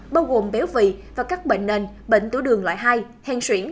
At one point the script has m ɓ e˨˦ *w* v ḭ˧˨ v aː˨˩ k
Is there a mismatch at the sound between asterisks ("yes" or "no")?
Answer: no